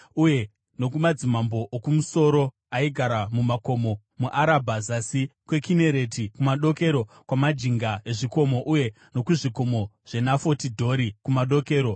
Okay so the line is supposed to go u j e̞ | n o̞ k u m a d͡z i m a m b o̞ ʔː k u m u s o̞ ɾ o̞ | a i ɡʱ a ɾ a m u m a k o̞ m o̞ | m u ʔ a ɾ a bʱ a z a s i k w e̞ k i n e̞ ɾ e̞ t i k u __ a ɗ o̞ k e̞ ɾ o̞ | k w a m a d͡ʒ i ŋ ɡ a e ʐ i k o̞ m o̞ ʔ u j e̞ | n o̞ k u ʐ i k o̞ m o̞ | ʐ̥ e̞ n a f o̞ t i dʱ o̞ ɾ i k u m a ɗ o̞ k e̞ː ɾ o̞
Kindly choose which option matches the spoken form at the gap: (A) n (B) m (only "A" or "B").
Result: B